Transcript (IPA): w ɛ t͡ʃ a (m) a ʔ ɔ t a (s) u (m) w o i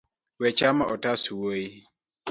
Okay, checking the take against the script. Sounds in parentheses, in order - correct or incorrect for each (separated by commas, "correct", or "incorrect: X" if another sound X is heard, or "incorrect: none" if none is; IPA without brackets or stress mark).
correct, correct, incorrect: none